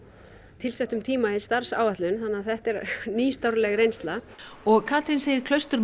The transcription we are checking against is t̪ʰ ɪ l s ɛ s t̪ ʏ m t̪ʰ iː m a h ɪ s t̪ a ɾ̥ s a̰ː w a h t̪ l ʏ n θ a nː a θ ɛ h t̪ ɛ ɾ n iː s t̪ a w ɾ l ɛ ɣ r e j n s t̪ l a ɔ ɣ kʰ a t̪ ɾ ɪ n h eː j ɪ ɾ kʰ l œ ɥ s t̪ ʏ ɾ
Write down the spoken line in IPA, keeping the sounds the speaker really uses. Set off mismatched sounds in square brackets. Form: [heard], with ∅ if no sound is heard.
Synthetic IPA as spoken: t̪ʰ ɪ l s ɛ [h] t̪ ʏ m t̪ʰ iː m a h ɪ s t̪ a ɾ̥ s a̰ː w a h t̪ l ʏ n θ a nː a θ ɛ h t̪ ɛ ɾ n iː s t̪ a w ɾ l ɛ ɣ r e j n s t̪ l a ɔ ɣ kʰ a t̪ ɾ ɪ n [s] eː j ɪ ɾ kʰ l œ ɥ s t̪ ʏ ɾ